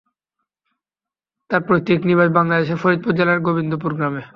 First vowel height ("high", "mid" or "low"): low